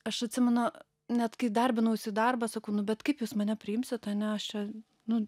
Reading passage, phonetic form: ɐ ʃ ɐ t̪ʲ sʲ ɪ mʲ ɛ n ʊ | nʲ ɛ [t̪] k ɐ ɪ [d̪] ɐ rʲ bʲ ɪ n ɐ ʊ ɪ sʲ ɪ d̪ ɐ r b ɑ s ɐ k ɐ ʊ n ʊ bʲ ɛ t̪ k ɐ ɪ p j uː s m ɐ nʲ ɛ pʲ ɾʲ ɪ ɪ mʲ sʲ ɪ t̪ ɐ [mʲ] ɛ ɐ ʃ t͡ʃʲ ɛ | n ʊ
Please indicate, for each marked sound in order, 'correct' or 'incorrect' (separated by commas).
correct, correct, incorrect